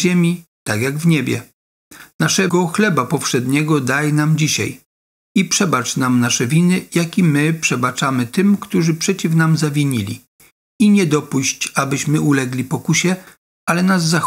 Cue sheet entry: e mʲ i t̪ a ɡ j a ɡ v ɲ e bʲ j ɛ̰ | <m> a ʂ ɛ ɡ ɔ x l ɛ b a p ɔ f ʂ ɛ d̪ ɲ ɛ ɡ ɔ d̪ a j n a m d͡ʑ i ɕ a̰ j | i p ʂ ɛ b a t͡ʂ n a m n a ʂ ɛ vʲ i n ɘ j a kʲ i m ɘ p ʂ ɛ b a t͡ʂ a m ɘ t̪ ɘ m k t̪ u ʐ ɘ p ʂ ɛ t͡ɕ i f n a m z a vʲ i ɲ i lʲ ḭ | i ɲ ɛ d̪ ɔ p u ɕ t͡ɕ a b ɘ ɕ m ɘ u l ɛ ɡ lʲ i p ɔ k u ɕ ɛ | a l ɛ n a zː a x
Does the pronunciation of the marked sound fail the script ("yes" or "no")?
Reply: yes